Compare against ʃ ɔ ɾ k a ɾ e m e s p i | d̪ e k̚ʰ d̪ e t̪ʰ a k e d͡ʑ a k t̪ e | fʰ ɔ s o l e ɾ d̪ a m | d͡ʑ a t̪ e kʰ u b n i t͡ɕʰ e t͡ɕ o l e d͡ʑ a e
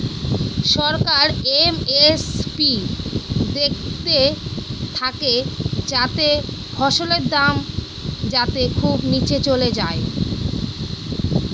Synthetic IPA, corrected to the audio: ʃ ɔ ɾ k a ɾ e m e s p i | d̪ e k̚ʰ t̪ e t̪ʰ a k e d͡ʑ a t̪ e | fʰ ɔ ʃ o l e ɾ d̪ a m | d͡ʑ a t̪ e kʰ u b n i t͡ɕ e t͡ɕ o l e d͡ʑ a e